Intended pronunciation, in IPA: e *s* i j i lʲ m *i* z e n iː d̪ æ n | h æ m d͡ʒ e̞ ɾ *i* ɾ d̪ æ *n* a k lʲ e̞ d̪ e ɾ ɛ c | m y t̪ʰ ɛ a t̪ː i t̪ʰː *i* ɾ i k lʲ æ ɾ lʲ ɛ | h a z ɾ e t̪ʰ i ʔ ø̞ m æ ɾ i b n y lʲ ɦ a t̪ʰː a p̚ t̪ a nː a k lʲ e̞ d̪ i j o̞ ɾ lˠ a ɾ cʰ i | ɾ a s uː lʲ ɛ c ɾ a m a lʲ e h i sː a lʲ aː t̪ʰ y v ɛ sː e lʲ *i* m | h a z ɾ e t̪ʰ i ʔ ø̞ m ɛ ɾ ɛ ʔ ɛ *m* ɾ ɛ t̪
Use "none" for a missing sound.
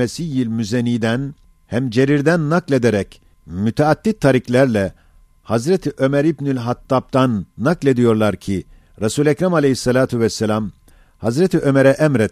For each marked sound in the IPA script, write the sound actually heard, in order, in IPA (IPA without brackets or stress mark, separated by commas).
s, y, i, nː, a, a, m